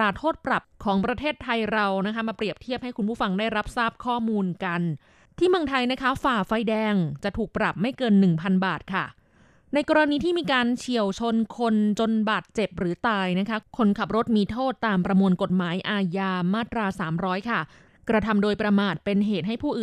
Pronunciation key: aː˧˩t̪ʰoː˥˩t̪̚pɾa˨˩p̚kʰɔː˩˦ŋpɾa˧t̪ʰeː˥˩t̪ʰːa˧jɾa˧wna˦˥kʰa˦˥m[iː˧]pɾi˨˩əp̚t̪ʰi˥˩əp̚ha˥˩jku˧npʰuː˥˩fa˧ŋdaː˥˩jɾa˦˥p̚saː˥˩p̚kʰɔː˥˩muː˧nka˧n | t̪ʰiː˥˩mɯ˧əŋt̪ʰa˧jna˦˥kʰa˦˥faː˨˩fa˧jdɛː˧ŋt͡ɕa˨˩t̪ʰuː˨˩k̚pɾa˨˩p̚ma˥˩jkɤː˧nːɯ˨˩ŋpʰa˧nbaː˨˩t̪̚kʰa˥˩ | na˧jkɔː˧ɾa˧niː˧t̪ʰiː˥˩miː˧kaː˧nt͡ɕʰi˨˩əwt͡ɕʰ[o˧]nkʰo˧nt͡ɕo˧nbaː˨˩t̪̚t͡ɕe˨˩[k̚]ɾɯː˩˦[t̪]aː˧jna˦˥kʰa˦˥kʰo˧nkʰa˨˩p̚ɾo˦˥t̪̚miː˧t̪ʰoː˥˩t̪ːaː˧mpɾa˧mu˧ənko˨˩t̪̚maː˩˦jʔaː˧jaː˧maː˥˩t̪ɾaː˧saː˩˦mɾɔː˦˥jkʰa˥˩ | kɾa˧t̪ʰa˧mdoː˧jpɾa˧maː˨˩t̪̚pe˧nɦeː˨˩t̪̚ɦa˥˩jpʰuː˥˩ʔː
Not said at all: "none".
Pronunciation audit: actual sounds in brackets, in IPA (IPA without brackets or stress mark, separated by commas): aː˧, o˧, p̚, t̪